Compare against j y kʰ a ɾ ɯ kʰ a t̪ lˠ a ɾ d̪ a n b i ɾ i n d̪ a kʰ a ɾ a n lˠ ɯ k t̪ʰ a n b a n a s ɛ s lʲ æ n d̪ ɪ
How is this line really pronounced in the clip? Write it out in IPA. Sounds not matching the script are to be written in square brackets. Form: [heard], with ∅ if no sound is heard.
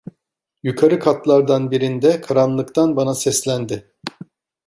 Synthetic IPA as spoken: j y kʰ a ɾ ɯ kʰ a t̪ lˠ a ɾ d̪ a n b i ɾ i n d̪ [ɛ] kʰ a ɾ a n lˠ ɯ k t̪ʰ a n b a n a s ɛ s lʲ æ n d̪ ɪ